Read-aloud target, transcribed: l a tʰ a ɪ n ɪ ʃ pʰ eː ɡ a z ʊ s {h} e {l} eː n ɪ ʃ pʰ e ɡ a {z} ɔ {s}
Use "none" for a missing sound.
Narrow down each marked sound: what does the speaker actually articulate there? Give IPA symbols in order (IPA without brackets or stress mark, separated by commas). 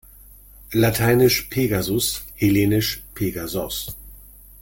h, l, z, s